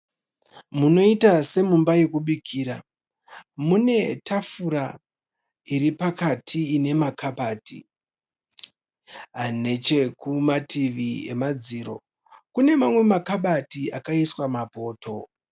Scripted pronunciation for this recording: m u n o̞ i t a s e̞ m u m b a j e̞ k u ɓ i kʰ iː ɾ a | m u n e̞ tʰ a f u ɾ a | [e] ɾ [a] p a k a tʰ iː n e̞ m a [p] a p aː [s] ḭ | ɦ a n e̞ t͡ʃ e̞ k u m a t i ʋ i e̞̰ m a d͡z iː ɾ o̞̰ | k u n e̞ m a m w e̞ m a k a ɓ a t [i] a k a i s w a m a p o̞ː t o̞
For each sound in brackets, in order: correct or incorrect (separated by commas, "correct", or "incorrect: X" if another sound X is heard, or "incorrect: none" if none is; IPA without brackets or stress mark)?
incorrect: i, incorrect: i, incorrect: k, incorrect: t, correct